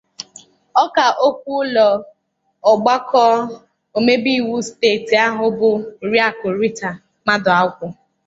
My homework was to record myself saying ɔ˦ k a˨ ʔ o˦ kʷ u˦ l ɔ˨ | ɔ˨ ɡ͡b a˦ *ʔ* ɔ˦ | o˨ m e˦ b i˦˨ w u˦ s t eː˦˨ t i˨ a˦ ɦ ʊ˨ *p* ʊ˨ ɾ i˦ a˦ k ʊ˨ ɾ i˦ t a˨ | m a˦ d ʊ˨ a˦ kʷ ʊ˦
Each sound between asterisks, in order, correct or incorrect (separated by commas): incorrect, incorrect